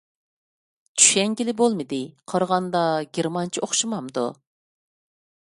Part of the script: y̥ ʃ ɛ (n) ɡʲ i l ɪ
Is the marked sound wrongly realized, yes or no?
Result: yes